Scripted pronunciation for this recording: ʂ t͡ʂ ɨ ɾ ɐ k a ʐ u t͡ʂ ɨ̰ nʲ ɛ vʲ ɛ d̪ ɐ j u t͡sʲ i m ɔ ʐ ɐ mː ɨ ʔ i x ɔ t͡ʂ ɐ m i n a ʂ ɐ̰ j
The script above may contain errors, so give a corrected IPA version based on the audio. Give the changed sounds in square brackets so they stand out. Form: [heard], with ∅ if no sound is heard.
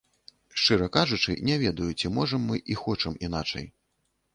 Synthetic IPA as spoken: ʂ t͡ʂ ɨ ɾ ɐ k a ʐ u t͡ʂ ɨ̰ nʲ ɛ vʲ ɛ d̪ ɐ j u t͡sʲ i m ɔ ʐ ɐ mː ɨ ʔ i x ɔ t͡ʂ ɐ m i n a [t͡ʂ] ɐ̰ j

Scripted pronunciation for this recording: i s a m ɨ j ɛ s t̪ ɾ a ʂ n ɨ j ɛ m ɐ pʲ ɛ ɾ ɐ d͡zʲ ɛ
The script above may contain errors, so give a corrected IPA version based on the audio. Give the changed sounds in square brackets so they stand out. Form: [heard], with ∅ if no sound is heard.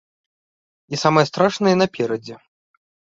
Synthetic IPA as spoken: i s a m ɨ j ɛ s t̪ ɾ a ʂ n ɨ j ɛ [n] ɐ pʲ ɛ ɾ ɐ d͡zʲ ɛ

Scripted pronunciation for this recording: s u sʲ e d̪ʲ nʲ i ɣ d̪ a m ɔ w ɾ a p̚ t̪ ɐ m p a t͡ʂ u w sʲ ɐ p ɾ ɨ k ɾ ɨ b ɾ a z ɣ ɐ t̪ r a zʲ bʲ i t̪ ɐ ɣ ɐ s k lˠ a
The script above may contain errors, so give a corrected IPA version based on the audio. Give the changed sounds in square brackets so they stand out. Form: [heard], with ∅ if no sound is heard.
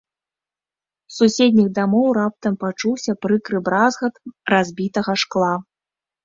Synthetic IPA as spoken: s u sʲ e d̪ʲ nʲ i ɣ d̪ a m ɔ w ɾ a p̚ t̪ ɐ m p a t͡ʂ u w sʲ ɐ p ɾ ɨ k ɾ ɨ b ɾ a z ɣ ɐ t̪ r a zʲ bʲ i t̪ ɐ ɣ ɐ [ʂ] k lˠ a

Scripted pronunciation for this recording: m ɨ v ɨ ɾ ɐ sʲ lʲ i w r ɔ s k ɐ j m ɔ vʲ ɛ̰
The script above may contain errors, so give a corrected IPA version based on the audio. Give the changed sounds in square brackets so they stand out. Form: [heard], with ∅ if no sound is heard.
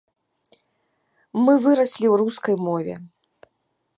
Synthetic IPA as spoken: m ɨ v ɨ ɾ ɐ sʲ lʲ i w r [u] s k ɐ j m ɔ vʲ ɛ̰

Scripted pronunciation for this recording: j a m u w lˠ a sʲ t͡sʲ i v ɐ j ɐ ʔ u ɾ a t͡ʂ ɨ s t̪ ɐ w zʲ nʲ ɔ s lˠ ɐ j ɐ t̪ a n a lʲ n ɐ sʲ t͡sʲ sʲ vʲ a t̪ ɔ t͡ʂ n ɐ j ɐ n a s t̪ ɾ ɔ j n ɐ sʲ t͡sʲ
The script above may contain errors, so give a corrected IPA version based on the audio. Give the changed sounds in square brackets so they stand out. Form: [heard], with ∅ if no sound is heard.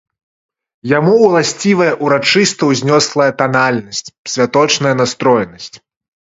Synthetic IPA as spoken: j a m u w lˠ a sʲ t͡sʲ i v ɐ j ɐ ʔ u ɾ a t͡ʂ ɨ s t̪ ɐ w zʲ nʲ ɔ s lˠ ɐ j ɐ t̪ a n a lʲ n ɐ sʲ t͡sʲ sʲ vʲ a t̪ ɔ t͡ʂ n ɐ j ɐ n a s t̪ ɾ ɔ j n ɐ sʲ t͡sʲ

